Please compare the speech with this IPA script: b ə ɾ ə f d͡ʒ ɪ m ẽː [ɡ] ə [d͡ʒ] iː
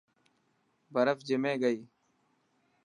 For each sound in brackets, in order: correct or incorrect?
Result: correct, incorrect: none

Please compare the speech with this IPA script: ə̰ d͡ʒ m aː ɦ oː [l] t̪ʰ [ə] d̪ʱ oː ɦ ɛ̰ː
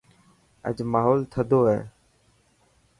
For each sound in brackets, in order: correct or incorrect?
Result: correct, correct

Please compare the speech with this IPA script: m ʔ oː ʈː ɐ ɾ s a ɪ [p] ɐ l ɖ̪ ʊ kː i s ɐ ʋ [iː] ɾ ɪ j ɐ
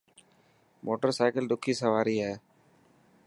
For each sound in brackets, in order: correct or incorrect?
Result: incorrect: k, incorrect: aː

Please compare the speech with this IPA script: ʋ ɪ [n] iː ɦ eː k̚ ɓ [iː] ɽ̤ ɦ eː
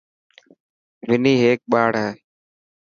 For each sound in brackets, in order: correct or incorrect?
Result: correct, incorrect: aː

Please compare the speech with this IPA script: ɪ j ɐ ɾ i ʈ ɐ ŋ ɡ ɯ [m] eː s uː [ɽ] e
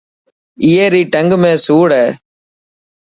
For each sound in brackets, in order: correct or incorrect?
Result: correct, correct

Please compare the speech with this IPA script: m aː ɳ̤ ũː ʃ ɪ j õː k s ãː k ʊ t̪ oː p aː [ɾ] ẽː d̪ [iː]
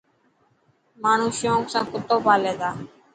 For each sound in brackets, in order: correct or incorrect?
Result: incorrect: l, incorrect: aː

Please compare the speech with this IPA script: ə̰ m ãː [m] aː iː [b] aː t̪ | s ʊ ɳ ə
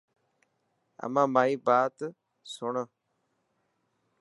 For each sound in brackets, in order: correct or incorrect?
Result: correct, correct

